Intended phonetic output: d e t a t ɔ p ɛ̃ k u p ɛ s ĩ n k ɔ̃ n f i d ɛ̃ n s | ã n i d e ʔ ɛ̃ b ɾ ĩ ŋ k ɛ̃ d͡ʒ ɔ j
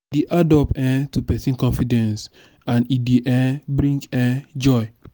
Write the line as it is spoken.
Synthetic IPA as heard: d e ʔ a d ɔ p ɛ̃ t u p ɛ s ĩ n k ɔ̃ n f i d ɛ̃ n s | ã n i d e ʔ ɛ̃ b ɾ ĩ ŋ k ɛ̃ d͡ʒ ɔ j